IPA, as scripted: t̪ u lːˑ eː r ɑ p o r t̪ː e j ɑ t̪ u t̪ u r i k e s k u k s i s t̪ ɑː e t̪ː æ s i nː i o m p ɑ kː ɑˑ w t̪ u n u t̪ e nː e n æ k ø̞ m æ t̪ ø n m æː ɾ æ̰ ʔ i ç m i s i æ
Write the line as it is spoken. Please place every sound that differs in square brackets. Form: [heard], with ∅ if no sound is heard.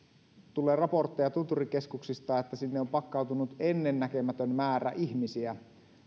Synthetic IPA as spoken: t̪ u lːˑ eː r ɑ p o r t̪ː e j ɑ t̪ u t̪ u r i k e s k u k s i s t̪ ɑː e t̪ː æ s i nː [e] o m p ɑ kː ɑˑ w t̪ u n u t̪ e nː e [nː] æ k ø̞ m æ t̪ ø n m æː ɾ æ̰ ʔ i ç m i s i æ